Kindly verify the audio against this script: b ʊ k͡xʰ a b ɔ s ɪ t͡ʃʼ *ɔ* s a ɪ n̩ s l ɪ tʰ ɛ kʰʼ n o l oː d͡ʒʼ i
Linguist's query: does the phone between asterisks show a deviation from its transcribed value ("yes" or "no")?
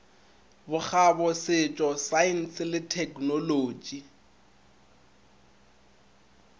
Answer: no